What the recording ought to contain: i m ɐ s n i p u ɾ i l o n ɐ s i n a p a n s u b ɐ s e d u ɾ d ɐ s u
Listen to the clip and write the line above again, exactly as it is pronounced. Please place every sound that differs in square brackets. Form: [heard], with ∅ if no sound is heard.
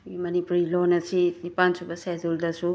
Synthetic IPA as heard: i m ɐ [∅] n i p u ɾ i l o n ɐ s i n [i] p a n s u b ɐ s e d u [l] d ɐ s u